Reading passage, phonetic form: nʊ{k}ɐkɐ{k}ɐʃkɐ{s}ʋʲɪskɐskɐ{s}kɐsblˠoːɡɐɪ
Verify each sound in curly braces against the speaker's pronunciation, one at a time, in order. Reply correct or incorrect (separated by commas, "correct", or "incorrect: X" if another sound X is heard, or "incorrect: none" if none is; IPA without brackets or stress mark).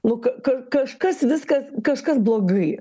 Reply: correct, correct, correct, incorrect: ʃ